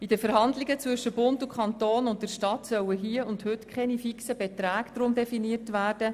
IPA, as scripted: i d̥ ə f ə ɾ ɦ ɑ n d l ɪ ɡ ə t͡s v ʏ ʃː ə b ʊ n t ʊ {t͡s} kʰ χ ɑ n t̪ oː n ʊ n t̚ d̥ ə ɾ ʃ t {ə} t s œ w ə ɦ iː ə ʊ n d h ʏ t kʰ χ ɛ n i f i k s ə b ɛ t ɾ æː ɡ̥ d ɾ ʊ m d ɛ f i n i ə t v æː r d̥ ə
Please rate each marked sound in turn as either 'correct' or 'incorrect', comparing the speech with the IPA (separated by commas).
incorrect, incorrect